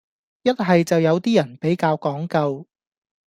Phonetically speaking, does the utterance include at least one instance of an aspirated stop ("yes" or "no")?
no